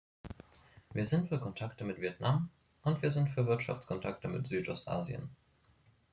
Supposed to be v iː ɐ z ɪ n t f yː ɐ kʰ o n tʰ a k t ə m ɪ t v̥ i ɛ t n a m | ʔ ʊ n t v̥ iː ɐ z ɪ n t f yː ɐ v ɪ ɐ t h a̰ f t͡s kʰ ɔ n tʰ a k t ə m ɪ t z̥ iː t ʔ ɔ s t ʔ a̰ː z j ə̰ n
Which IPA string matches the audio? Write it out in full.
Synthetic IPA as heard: v iː ɐ z ɪ n t f yː ɐ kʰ ɔ n tʰ a k t ə m ɪ t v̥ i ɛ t n a m | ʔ ʊ n t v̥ iː ɐ z ɪ n t f yː ɐ v ɪ ɐ t ʃ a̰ f t͡s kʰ ɔ n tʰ a k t ə m ɪ t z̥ yː t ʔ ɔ s t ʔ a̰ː z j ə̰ n